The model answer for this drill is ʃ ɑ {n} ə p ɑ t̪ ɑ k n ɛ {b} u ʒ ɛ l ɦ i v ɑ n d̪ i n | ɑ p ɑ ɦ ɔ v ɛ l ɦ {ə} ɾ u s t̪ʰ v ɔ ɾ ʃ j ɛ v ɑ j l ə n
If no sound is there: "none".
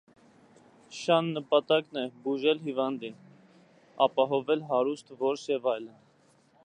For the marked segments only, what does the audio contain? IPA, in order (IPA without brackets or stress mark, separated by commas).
nː, b, ɑ